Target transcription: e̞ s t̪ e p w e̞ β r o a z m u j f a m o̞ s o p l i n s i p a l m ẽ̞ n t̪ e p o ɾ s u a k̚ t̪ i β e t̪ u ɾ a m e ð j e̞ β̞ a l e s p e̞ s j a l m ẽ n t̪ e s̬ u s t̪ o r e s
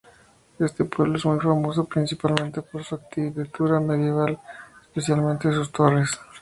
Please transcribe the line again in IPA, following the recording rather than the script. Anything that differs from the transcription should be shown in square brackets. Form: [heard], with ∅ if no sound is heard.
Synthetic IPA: e̞ s t̪ e p w e̞ β [l] o [e] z m u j f a m o̞ s o p [ɾ] i n s i p a l m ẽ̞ n t̪ e p o ɾ s u a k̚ t̪ i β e t̪ u ɾ a m e ð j e̞ β̞ a l e s p e̞ s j a l m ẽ n t̪ e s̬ u s t̪ o r e s

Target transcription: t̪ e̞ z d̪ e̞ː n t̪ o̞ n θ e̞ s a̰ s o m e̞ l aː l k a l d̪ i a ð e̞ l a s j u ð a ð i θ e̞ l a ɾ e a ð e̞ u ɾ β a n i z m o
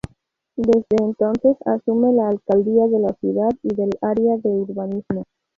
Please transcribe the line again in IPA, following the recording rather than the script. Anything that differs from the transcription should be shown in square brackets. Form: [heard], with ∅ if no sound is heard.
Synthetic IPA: [d̪] e̞ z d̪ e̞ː n t̪ o̞ n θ e̞ s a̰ s [u] m e̞ l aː l k a l d̪ i a ð e̞ l a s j u ð a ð i [ð] e̞ l a ɾ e a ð e̞ u ɾ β a n i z m o

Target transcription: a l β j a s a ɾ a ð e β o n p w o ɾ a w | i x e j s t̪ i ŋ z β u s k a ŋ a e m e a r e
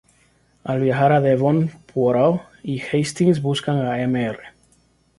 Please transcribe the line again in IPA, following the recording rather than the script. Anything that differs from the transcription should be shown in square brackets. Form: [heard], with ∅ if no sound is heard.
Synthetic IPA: a l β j a [x] a ɾ a ð e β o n p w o ɾ a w | i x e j s t̪ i ŋ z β u s k a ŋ a e m e [e] r e

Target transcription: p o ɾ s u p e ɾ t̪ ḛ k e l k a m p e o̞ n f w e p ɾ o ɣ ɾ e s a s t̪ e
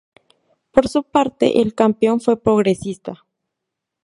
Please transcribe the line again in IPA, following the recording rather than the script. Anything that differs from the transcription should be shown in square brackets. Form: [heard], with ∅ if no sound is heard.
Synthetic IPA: p o ɾ s u p [a] ɾ t̪ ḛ [ʔ] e l k a m p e o̞ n f w e p ɾ o ɣ ɾ e s [i] s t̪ [a]

